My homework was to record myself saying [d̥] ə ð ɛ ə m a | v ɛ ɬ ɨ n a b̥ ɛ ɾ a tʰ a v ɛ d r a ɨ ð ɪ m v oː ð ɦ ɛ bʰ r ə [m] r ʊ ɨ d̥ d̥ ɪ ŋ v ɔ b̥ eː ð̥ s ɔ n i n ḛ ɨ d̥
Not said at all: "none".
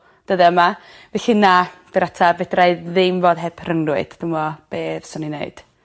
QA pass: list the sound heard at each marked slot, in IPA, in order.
d̥, ŋ

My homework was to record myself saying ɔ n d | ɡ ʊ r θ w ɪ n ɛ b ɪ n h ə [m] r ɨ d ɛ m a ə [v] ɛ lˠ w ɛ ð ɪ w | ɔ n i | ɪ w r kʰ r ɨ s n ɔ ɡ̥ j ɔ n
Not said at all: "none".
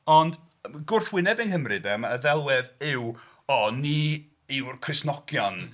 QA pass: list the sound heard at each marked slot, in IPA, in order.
m, ð

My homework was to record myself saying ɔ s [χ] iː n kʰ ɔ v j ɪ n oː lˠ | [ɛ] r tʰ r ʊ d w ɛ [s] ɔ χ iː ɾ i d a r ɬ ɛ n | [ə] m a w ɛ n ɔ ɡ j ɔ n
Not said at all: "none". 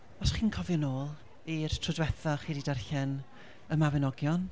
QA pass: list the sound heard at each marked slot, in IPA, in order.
χ, i, θ, ə

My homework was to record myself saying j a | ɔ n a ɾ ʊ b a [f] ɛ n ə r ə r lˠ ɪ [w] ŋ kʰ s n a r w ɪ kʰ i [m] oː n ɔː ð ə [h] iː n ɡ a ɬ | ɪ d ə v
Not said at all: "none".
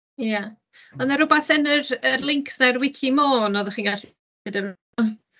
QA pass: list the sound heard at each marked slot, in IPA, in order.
θ, none, m, χ

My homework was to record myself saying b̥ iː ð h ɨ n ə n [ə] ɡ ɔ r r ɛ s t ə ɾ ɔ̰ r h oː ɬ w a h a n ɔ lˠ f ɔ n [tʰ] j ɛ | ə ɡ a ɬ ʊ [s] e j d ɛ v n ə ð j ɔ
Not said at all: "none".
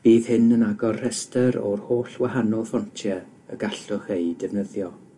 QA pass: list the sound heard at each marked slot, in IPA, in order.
a, tʰ, χ

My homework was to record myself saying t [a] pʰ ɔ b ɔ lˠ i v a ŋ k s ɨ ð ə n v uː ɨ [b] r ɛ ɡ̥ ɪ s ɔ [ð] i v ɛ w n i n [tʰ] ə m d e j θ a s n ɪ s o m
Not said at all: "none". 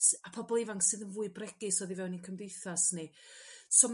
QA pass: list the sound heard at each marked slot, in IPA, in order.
a, b, ð, kʰ

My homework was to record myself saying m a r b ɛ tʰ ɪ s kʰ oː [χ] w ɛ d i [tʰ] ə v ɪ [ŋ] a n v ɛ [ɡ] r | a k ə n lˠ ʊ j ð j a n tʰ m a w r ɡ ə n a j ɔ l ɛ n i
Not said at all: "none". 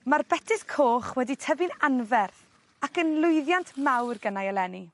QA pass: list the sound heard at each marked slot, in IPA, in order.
χ, tʰ, n, none

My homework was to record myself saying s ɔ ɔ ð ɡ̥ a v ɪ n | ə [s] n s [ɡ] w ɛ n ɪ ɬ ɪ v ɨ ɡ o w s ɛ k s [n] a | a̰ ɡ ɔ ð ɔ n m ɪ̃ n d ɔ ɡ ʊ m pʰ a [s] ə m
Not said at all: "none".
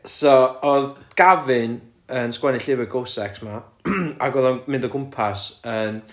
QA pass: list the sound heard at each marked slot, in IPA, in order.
none, k, m, s

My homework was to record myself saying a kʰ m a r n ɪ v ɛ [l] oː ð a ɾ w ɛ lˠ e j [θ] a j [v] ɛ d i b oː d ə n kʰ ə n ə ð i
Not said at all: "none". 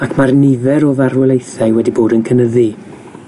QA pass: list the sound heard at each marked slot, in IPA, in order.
ɾ, θ, w

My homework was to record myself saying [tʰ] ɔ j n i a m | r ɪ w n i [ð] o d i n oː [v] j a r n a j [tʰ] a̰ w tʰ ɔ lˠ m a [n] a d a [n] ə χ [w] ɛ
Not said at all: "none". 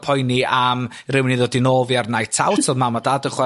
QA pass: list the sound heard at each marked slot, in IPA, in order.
pʰ, ð, v, tʰ, m, d, w

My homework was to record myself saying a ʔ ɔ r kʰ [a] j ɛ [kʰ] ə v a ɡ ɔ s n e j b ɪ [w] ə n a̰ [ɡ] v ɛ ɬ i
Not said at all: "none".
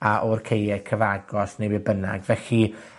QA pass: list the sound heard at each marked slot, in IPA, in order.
e, kʰ, b, ɡ

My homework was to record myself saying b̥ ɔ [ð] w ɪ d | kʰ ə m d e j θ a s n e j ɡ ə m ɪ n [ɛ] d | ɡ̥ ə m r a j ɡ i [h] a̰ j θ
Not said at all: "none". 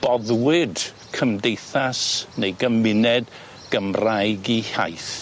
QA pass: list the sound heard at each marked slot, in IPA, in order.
ð, ɛ, h

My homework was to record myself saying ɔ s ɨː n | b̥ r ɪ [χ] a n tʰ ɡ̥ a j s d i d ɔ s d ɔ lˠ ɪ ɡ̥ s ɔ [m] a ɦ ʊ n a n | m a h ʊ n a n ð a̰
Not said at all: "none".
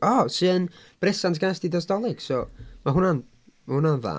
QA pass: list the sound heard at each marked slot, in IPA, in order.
s, m

